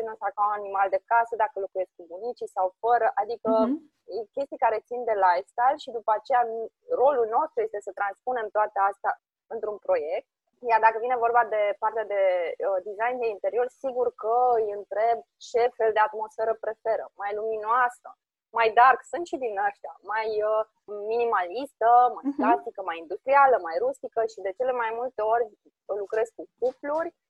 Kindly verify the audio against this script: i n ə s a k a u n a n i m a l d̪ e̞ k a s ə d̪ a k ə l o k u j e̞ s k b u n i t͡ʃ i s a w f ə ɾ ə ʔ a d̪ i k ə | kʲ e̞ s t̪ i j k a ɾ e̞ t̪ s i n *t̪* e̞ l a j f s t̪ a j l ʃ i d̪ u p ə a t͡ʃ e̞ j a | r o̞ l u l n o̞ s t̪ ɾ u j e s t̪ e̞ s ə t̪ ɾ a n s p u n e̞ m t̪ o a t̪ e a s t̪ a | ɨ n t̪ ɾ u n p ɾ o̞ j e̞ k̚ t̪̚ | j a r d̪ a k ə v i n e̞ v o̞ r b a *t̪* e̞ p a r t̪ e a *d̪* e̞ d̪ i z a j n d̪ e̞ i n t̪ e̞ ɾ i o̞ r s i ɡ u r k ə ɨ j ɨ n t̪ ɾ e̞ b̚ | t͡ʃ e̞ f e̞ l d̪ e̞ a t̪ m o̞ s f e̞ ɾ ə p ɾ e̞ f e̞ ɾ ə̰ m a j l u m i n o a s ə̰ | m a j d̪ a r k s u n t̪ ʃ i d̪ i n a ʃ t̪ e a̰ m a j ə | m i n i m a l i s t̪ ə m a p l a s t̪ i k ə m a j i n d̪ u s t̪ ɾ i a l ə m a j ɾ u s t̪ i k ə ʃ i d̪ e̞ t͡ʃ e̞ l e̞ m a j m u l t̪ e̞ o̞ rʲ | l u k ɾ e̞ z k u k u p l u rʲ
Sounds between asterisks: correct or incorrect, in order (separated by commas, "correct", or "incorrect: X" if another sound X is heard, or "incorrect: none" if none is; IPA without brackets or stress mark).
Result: incorrect: d̪, incorrect: d̪, correct